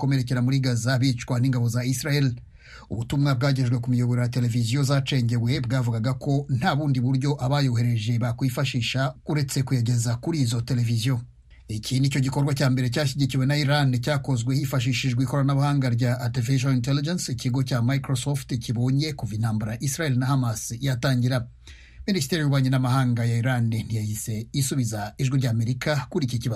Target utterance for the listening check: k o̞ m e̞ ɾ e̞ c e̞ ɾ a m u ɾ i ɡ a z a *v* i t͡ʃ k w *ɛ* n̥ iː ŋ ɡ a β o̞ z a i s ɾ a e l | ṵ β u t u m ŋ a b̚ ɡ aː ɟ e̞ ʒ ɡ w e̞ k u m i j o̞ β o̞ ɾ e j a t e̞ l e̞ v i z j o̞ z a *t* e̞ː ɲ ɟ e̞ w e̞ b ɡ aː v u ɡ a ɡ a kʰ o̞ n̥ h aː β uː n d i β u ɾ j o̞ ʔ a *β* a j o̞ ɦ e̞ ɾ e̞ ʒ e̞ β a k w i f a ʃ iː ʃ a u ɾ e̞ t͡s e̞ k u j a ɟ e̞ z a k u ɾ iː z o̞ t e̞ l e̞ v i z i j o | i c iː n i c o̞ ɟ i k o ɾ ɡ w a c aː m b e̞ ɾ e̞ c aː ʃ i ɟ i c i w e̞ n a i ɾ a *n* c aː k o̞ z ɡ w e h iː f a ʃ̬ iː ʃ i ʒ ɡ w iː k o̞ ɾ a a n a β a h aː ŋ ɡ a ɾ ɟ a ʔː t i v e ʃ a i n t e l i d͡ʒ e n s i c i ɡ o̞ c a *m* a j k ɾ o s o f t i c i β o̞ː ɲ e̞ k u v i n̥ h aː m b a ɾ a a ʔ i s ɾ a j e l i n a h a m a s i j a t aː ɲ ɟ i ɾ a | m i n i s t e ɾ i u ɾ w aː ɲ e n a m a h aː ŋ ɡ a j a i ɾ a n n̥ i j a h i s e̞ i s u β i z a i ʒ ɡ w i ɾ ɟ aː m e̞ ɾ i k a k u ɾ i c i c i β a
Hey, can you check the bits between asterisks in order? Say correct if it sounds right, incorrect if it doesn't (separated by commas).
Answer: incorrect, incorrect, incorrect, correct, correct, correct